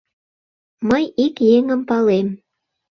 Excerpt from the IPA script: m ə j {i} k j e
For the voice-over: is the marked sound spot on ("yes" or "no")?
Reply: yes